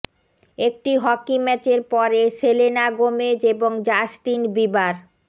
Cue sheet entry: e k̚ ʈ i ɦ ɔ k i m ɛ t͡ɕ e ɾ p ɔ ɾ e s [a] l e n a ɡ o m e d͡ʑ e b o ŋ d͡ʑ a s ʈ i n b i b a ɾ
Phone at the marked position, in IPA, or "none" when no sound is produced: e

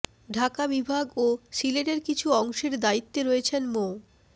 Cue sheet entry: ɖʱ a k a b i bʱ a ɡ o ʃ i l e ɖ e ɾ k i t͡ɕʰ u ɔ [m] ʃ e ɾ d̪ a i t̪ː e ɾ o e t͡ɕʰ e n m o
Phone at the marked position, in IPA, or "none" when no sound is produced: ŋ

